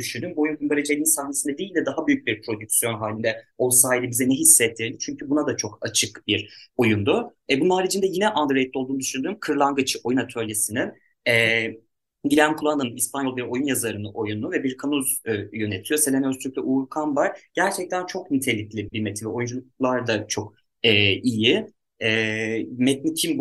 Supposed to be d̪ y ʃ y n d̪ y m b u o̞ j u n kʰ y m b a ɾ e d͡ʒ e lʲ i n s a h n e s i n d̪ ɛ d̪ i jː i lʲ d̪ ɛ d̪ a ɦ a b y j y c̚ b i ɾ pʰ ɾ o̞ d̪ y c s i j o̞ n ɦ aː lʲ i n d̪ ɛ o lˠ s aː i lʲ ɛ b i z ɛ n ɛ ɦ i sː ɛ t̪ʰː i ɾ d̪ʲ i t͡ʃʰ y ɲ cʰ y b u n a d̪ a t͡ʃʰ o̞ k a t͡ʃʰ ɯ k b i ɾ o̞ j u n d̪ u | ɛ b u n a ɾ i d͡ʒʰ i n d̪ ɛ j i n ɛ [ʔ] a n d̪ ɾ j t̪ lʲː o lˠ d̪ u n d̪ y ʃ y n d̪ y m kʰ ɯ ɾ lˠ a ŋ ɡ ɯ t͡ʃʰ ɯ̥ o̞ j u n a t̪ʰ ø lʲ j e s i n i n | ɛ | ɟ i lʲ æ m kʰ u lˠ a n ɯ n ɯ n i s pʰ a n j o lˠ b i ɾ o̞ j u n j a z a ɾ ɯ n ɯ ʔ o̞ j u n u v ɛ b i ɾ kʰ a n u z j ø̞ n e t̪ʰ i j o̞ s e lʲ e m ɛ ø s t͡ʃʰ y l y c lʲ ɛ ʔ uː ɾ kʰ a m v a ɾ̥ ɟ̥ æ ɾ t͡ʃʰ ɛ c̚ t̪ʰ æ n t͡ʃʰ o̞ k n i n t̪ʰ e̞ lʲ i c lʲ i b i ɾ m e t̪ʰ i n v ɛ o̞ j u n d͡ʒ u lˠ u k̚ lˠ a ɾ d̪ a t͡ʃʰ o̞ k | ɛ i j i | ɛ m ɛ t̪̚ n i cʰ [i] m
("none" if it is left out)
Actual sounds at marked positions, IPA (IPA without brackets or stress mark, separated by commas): ʔ, i